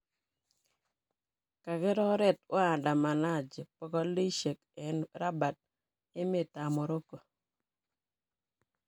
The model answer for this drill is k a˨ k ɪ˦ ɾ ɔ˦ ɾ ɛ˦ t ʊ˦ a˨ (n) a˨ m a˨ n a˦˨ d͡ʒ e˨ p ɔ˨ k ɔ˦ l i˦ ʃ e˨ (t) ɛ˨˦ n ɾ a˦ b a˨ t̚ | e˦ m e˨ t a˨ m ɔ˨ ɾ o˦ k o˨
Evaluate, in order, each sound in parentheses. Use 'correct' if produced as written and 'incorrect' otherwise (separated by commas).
incorrect, incorrect